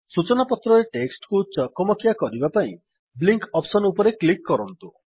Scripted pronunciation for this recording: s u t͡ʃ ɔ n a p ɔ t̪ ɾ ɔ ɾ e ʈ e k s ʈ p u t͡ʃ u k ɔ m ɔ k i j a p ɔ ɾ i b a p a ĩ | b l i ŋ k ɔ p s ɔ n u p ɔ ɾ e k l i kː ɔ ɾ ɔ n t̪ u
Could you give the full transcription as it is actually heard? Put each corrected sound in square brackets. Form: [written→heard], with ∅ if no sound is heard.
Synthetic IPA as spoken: s u t͡ʃ ɔ n a p ɔ t̪ ɾ ɔ ɾ e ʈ e k s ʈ [p→k] u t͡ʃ [u→ɔ] k ɔ m ɔ k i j a [p→k] ɔ ɾ i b a p a ĩ | b l i ŋ k ɔ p s ɔ n u p ɔ ɾ e k l i kː ɔ ɾ ɔ n t̪ u